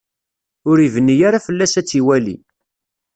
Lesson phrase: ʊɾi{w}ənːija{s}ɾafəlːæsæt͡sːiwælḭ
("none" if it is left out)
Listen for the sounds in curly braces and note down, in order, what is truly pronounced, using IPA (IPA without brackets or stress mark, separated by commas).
v, none